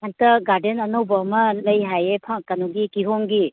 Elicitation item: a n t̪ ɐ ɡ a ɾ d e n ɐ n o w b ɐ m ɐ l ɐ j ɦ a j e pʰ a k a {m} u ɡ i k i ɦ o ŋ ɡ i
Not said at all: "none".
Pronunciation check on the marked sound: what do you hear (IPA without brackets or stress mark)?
n